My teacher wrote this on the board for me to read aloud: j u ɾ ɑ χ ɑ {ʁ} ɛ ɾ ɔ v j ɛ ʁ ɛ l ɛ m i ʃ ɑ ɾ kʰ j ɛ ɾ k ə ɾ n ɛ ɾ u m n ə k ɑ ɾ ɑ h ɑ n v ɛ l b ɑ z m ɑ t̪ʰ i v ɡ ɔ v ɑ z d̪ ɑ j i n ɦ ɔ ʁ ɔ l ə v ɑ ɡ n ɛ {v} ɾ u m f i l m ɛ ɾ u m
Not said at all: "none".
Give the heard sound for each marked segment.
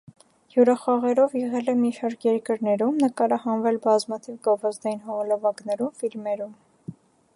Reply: ʁ, none

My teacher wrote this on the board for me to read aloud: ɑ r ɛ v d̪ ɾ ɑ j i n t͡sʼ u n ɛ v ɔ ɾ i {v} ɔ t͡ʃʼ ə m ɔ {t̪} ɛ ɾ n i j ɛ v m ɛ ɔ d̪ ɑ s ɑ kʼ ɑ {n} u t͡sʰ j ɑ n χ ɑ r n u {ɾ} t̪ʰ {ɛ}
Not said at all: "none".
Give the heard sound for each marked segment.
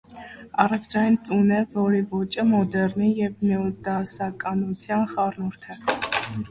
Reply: v, d̪, n, ɾ, ɛ

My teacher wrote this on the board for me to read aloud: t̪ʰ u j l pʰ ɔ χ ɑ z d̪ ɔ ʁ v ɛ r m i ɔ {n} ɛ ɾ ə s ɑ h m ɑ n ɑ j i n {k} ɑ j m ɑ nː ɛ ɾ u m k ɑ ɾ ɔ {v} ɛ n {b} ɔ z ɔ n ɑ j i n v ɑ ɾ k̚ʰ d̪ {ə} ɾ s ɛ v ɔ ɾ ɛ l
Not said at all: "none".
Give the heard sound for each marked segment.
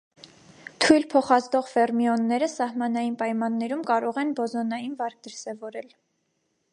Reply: nː, p, ʁ, b, ə

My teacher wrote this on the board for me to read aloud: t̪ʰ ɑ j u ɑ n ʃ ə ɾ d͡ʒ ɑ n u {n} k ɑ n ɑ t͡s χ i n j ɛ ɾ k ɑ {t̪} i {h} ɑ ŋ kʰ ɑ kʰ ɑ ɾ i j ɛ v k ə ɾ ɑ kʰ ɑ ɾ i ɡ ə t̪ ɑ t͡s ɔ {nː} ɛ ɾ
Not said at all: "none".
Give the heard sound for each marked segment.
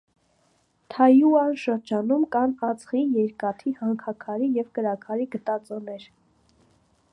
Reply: m, t̪ʰ, h, n

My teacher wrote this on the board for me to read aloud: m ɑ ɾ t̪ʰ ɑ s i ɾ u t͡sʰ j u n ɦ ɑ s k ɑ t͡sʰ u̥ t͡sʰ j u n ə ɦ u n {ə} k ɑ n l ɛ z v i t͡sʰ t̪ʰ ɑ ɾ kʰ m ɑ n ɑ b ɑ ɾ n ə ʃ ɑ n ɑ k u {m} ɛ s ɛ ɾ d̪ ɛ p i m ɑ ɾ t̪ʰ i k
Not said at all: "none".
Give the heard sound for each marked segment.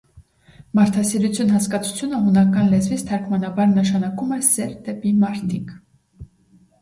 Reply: ɑ, m

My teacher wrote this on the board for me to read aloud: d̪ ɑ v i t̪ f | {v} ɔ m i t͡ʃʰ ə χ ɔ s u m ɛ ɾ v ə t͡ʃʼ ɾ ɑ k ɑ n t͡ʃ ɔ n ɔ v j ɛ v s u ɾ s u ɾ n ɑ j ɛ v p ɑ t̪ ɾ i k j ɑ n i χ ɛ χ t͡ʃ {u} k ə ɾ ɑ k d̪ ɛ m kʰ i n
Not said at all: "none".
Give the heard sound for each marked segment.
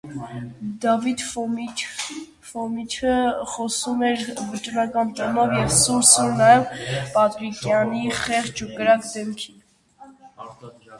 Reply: f, u

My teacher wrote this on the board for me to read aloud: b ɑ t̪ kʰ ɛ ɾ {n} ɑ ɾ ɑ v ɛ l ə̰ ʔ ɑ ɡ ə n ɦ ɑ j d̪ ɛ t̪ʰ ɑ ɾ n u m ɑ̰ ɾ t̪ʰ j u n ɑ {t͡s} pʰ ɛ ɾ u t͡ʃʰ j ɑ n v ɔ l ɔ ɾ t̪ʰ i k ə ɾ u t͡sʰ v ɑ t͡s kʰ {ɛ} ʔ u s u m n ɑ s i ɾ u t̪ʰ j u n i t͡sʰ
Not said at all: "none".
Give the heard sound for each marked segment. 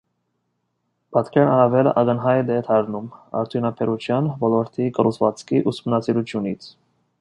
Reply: n, none, i

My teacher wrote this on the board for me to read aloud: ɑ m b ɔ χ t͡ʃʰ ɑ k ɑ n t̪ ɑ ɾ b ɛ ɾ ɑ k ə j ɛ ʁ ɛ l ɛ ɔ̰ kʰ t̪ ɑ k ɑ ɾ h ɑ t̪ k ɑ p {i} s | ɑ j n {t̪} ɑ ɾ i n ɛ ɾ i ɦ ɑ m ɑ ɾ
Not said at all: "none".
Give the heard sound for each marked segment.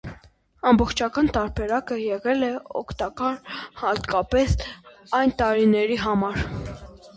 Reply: ɛ, t̪

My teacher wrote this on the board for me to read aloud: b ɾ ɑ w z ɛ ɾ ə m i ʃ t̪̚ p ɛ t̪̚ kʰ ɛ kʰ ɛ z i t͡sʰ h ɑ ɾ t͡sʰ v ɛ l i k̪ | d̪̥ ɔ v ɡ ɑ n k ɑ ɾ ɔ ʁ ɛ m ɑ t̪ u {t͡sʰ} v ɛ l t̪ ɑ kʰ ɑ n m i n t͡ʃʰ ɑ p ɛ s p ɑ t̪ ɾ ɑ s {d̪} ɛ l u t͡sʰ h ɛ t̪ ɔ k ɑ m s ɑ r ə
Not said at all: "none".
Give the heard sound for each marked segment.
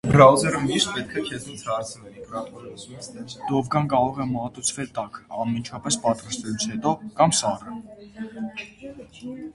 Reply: t͡sʰ, t̪

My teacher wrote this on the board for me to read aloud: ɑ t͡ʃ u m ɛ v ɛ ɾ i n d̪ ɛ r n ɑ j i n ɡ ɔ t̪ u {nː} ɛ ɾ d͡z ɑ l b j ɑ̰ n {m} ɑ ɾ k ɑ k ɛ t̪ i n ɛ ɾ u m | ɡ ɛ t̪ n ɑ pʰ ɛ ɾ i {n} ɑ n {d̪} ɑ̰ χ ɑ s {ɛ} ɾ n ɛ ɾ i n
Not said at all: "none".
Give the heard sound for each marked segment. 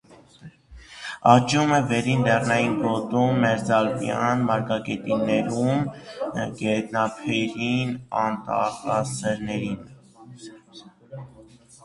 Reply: mː, m, n, t̪, ɛ

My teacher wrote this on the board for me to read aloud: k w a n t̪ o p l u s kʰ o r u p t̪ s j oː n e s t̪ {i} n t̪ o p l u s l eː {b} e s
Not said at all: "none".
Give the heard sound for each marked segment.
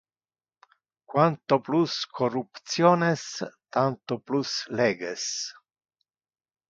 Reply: a, ɡ

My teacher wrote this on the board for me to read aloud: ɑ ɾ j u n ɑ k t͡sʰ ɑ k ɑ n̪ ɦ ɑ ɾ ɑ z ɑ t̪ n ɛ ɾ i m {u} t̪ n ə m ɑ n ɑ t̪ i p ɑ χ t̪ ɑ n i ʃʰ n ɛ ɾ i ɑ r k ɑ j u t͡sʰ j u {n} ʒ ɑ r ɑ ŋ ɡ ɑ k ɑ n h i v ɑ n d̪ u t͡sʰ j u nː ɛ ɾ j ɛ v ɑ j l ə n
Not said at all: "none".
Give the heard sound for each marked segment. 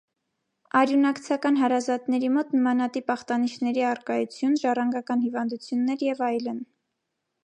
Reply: ɔ, n

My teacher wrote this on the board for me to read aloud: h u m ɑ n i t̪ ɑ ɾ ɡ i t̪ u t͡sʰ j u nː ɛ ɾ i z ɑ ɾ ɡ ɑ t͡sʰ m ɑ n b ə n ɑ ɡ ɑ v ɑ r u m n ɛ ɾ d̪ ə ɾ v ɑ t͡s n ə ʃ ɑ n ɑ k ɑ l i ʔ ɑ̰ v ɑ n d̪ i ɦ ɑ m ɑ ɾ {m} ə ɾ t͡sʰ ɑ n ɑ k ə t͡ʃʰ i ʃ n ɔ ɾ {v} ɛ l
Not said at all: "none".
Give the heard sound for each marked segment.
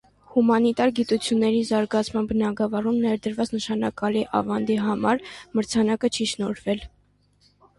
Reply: m, v

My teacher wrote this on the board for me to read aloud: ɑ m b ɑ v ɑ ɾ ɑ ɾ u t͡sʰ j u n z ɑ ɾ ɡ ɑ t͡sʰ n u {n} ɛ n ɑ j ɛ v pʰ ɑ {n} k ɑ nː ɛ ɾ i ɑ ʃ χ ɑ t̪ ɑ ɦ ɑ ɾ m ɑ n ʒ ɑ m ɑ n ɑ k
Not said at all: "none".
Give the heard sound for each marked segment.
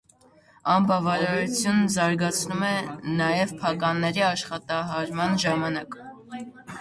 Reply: m, none

